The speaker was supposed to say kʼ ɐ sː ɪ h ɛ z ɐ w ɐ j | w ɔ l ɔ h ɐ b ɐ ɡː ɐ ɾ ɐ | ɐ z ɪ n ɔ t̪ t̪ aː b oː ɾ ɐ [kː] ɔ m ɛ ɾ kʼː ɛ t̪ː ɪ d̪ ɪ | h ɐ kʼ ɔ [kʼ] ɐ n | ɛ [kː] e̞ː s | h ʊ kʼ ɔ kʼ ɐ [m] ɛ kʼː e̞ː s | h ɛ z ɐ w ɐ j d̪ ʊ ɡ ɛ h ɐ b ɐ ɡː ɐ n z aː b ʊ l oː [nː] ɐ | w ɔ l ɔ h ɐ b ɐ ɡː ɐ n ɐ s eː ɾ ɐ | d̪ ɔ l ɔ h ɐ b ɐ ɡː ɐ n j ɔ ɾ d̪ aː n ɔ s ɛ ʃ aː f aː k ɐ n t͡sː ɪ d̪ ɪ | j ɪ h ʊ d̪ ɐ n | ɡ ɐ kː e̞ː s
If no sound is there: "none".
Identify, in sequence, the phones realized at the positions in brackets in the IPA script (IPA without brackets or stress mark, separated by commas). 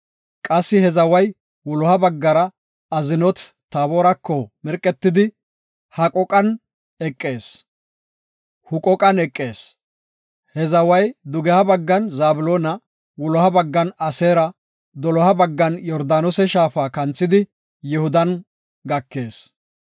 kː, kʼ, kʼː, n, n